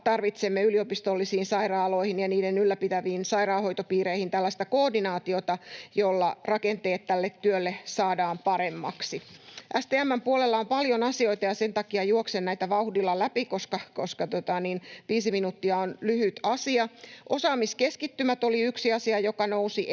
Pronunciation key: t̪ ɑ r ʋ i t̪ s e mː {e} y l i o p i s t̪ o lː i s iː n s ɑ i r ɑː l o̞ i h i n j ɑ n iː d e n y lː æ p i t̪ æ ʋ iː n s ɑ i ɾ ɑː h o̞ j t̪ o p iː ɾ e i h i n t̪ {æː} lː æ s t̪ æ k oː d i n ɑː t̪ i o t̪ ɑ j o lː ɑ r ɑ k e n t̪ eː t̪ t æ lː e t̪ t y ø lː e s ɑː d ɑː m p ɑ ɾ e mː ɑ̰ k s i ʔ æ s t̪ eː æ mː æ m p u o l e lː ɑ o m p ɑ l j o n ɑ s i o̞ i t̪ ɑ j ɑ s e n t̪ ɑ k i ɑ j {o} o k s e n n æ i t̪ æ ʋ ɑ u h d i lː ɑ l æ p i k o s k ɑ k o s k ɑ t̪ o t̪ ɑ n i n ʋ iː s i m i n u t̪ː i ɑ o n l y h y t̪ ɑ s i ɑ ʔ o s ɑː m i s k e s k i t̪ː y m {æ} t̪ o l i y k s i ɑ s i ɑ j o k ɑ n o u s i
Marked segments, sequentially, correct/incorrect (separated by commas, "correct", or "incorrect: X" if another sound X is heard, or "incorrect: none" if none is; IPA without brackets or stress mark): correct, incorrect: æ, incorrect: u, correct